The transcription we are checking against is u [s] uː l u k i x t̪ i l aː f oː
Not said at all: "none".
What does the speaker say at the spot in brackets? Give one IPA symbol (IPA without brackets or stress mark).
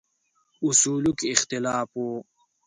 s